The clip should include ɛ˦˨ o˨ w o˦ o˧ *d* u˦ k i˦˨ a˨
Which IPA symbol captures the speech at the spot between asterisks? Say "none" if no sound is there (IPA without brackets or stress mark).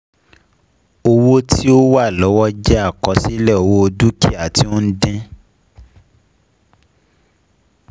d